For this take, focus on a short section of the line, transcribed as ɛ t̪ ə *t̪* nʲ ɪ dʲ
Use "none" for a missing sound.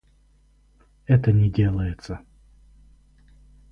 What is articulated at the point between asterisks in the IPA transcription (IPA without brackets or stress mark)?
none